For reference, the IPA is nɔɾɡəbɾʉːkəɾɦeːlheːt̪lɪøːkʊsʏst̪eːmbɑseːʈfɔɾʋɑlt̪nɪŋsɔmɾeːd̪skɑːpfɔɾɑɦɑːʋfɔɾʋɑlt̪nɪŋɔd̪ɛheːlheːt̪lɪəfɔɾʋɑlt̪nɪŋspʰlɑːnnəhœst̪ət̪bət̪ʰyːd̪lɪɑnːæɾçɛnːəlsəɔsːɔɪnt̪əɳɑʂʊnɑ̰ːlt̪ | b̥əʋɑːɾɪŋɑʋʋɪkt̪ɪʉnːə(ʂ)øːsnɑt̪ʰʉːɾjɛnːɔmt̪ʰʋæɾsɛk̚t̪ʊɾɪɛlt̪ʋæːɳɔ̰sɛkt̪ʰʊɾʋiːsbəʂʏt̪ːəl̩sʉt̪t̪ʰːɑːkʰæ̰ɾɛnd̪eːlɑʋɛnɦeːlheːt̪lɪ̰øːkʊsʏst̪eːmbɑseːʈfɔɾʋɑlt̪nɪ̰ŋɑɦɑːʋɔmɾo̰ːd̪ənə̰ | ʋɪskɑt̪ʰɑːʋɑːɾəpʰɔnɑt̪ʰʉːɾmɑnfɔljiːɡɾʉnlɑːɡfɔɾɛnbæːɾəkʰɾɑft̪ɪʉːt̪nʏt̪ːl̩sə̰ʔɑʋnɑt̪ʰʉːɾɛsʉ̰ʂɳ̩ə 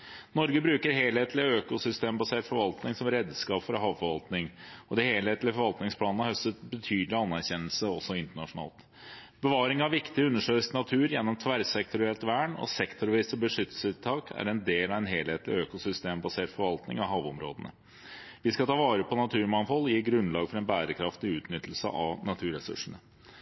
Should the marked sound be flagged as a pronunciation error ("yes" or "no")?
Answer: no